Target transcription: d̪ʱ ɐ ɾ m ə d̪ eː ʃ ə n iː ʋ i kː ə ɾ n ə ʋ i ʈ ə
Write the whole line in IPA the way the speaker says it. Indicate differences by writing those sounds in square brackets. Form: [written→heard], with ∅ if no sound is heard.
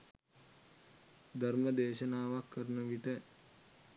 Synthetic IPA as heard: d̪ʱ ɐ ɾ m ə d̪ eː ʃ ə n [iː→aː] ʋ [i→a] kː ə ɾ n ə ʋ i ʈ ə